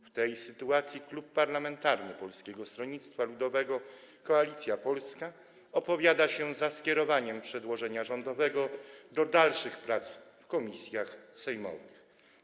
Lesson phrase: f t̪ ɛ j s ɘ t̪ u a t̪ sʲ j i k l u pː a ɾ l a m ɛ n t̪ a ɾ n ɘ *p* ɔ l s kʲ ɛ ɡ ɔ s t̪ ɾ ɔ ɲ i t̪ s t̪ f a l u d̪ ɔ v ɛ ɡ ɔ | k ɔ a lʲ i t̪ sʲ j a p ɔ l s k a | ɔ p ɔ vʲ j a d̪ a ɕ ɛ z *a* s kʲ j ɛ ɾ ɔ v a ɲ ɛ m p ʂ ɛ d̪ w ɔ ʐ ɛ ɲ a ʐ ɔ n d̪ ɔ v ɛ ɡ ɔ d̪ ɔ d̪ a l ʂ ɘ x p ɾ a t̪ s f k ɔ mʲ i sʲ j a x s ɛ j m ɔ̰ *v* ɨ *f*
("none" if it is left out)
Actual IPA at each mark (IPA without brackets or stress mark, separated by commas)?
p, a, v, x